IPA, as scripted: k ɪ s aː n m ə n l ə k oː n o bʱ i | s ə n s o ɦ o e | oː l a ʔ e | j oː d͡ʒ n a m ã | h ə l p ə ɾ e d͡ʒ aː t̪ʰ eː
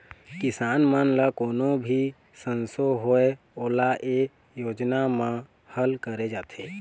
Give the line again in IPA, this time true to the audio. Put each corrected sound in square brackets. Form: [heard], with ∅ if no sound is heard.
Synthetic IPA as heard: k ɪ s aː n m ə n l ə k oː n o bʱ i | s ə n s o ɦ o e | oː l a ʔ e | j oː d͡ʒ n a m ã | h ə l [k] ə ɾ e d͡ʒ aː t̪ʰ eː